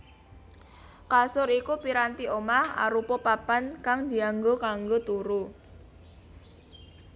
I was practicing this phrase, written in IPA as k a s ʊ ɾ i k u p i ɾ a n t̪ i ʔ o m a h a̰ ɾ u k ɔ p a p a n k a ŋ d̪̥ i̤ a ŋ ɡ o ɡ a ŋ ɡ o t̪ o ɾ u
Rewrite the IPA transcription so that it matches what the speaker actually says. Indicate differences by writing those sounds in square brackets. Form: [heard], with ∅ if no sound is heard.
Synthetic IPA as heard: k a s ʊ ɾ i k u p i ɾ a n t̪ i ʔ o m a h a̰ ɾ u [p] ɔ p a p a n k a ŋ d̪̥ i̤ a ŋ ɡ o [k] a ŋ ɡ o t̪ [u] ɾ u